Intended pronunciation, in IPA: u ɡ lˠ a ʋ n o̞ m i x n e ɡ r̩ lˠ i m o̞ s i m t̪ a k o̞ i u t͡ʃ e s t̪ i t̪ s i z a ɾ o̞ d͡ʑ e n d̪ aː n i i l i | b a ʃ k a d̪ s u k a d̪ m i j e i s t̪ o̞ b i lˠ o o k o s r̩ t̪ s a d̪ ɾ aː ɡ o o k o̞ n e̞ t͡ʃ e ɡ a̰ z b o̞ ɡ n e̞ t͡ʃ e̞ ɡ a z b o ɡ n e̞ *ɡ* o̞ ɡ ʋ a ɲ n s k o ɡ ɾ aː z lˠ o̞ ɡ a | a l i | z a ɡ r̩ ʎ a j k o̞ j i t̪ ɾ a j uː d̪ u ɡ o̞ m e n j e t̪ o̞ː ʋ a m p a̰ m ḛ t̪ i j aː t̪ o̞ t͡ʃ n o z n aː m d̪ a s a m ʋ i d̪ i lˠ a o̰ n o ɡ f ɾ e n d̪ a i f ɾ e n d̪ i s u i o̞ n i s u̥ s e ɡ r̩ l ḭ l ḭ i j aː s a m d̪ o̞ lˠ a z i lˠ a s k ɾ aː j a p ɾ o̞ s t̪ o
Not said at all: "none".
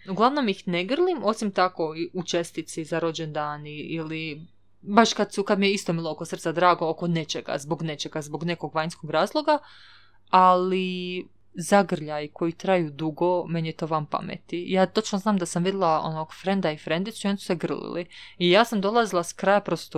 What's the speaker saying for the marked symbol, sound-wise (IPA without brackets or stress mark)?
k